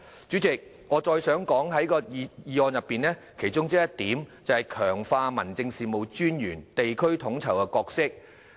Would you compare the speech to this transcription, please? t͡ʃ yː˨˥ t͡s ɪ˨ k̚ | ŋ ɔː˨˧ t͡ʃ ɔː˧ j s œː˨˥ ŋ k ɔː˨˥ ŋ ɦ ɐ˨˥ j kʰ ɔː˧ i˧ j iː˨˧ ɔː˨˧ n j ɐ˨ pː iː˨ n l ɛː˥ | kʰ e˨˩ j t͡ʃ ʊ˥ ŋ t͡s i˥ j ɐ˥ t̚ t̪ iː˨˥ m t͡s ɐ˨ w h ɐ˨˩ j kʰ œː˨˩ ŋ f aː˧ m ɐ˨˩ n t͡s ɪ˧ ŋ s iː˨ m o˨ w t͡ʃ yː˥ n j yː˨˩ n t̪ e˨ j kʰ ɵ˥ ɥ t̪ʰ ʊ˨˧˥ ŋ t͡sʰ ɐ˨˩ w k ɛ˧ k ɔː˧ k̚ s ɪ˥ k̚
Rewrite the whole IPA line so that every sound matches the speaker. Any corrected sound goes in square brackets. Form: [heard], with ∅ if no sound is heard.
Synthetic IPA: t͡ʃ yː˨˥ t͡s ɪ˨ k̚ | ŋ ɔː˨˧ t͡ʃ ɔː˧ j s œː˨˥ ŋ k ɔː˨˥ ŋ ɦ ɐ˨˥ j [k] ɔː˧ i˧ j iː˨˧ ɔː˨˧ n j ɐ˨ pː iː˨ n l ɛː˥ | kʰ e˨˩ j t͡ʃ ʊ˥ ŋ t͡s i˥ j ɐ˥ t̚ t̪ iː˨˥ m t͡s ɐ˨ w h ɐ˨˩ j kʰ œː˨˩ ŋ f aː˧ m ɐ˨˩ n t͡s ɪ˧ ŋ s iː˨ m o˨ w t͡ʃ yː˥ n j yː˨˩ n t̪ e˨ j kʰ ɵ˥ ɥ t̪ʰ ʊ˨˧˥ ŋ t͡sʰ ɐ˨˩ w k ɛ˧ k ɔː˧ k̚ s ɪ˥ k̚

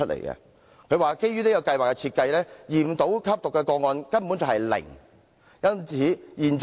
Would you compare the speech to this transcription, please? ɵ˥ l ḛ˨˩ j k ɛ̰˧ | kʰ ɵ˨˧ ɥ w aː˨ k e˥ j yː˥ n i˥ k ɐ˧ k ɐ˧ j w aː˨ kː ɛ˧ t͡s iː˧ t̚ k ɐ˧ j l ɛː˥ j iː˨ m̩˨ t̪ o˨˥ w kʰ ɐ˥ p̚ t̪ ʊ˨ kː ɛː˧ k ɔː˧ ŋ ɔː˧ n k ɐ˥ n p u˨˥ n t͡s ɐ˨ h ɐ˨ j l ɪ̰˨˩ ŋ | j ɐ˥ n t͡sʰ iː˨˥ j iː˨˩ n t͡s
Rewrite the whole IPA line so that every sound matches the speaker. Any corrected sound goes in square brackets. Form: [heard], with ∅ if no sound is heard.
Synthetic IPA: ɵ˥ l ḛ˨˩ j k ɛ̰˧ | kʰ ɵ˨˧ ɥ w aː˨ k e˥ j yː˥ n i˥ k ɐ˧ k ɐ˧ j w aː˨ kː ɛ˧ [t͡sʰ] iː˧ t̚ k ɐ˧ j l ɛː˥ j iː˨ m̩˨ t̪ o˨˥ w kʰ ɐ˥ p̚ t̪ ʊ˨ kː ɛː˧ k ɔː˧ ŋ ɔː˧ n k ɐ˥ n p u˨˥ n t͡s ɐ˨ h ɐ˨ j l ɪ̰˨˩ ŋ | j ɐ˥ n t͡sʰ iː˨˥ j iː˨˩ n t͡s

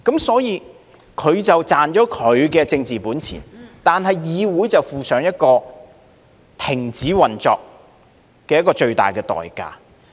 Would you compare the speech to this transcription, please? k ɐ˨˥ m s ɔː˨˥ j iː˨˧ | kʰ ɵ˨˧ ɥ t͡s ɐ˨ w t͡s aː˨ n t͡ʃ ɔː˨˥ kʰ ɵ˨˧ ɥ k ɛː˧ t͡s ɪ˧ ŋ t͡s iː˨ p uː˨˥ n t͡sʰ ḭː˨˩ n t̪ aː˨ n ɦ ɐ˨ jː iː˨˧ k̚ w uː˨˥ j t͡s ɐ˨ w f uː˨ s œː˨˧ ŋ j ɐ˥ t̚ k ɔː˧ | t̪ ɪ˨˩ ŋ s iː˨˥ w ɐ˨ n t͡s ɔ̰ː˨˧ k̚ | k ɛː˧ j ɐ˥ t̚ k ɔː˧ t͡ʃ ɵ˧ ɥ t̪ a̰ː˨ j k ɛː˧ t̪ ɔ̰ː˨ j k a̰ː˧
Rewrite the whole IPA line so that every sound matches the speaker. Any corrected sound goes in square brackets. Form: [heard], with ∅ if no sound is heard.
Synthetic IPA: k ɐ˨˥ m s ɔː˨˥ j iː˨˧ | kʰ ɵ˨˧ ɥ t͡s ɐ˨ w t͡s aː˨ n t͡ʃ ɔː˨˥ kʰ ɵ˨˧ ɥ k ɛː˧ t͡s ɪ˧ ŋ t͡s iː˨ p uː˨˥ n t͡sʰ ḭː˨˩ n t̪ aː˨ n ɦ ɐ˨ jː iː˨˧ [∅] w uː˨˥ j t͡s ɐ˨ w f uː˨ s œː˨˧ ŋ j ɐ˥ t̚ k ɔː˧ | [t̪ʰ] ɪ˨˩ ŋ [t͡s] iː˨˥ w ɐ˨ n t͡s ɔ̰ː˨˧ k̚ | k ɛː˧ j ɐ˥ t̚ k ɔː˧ t͡ʃ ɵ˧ ɥ t̪ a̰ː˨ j k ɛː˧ t̪ ɔ̰ː˨ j k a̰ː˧

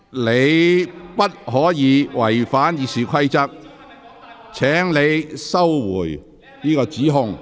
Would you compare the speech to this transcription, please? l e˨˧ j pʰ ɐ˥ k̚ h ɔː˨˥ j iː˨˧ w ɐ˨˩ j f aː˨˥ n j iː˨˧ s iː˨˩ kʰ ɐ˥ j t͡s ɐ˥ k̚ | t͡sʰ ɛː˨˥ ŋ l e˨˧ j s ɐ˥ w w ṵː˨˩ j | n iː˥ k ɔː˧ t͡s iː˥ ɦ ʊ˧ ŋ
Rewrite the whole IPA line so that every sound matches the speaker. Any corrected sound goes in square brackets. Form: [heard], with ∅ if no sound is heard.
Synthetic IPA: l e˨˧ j [p] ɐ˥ [t̚] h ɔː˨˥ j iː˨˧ w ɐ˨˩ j f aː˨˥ n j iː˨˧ s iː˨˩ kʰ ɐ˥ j t͡s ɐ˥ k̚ | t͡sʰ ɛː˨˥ ŋ l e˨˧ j s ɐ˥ w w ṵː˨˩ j | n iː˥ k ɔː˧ t͡s [iː˨˥] ɦ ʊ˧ ŋ

